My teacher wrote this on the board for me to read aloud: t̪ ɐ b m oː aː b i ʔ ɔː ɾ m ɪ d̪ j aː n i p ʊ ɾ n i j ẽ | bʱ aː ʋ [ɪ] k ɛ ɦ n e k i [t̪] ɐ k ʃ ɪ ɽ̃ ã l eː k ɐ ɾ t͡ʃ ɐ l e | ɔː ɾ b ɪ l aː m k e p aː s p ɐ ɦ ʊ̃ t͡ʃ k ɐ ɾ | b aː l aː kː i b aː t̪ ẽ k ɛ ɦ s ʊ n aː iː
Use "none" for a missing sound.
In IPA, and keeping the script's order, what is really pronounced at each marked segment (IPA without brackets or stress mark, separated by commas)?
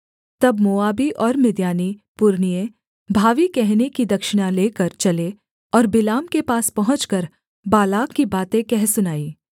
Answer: i, d̪